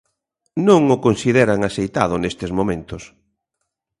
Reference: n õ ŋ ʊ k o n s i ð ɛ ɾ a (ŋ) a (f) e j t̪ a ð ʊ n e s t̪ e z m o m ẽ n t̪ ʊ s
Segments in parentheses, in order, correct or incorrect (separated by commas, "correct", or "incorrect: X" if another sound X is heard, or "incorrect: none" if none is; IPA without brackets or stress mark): correct, incorrect: s